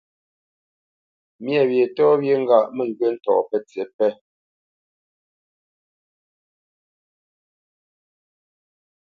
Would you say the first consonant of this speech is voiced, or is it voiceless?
voiced